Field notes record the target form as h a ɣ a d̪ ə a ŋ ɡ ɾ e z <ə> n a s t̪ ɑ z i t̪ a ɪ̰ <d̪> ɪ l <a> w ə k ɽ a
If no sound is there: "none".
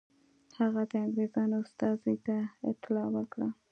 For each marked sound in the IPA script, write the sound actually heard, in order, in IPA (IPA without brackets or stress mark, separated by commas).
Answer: ɑ, t̪, ɑ